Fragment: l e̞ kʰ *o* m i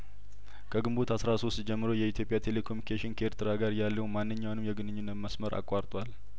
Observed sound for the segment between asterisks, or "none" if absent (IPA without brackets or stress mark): o